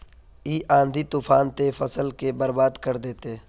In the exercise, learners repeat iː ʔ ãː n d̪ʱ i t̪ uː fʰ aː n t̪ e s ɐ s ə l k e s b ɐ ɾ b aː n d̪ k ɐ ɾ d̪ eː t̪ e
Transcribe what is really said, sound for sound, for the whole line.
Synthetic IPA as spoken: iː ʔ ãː n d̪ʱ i t̪ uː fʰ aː n t̪ e f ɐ s ə l k e b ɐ ɾ b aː d̪ k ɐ ɾ d̪ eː t̪ e